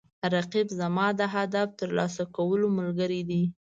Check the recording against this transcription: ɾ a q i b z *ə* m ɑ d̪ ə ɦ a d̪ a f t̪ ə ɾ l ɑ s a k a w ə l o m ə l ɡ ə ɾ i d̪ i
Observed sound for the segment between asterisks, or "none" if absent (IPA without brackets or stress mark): a